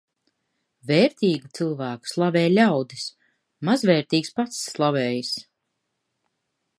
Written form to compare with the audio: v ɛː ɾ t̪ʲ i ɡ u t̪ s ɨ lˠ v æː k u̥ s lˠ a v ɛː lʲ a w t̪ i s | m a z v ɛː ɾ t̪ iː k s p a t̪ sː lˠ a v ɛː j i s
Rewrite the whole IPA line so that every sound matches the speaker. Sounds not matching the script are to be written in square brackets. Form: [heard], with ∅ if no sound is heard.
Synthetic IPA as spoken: v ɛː ɾ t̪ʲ [iː] ɡ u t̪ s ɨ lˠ v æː k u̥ s lˠ a v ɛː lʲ a w [d̪] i s | m a z v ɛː ɾ t̪ iː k s p a t̪ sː lˠ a v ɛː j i s